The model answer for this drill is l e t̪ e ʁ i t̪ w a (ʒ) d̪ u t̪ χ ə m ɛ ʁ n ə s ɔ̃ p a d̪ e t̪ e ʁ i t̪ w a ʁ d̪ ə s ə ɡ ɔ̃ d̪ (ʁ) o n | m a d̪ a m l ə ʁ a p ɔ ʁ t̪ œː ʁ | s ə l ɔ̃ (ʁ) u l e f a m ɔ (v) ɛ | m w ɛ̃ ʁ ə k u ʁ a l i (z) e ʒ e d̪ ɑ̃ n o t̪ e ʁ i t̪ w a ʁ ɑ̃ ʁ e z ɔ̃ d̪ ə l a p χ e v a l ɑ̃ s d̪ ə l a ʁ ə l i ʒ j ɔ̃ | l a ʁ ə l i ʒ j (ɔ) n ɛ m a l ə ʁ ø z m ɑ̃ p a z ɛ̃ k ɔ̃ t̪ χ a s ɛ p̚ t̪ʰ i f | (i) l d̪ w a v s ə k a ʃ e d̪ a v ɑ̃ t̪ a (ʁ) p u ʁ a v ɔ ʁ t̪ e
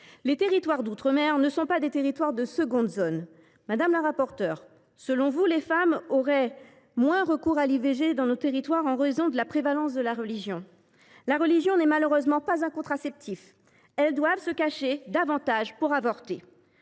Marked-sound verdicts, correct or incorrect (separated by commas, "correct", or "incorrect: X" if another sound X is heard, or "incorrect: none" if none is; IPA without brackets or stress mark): incorrect: ʁ, incorrect: z, incorrect: v, incorrect: ʁ, incorrect: v, incorrect: ɔ̃, incorrect: ɛ, incorrect: ʒ